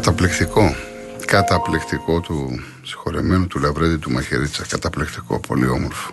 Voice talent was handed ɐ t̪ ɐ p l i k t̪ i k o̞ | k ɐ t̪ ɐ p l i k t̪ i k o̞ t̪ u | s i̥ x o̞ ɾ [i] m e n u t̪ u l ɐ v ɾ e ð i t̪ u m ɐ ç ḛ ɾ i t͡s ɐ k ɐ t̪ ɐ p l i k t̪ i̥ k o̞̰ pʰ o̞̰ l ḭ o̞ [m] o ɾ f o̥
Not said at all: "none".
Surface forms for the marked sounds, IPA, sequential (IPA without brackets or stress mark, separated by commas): e, m